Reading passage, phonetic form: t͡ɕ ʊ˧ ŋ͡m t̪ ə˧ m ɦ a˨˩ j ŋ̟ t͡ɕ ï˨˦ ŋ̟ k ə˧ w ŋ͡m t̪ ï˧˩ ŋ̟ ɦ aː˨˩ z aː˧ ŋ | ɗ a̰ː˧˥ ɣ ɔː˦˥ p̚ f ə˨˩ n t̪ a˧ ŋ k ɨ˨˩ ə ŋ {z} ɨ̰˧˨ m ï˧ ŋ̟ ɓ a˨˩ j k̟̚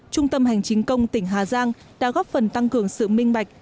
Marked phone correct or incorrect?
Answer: incorrect